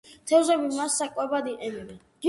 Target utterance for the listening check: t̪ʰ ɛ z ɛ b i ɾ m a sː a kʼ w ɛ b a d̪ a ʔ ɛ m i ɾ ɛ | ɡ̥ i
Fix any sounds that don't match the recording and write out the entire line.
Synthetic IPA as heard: t̪ʰ ɛ z ɛ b i m a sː a kʼ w ɛ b a d̪ i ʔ ɛ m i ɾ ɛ | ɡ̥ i